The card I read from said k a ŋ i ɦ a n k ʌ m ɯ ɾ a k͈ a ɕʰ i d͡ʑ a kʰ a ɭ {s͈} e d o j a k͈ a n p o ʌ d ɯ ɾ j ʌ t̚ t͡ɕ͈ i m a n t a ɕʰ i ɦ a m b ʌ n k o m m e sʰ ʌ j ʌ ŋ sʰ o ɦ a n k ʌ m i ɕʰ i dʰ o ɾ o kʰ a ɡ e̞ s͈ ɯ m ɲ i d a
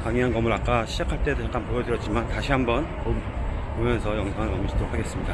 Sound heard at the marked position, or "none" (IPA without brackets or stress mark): t͈